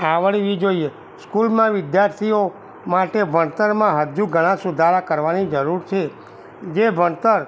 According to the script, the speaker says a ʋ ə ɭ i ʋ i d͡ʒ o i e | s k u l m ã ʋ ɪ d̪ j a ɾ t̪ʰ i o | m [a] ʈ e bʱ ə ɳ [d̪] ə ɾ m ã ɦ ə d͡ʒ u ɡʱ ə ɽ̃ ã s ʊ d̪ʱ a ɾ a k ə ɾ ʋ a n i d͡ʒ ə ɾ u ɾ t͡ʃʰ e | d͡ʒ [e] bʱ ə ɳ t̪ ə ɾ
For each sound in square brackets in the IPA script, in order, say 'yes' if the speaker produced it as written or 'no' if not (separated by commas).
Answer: yes, no, yes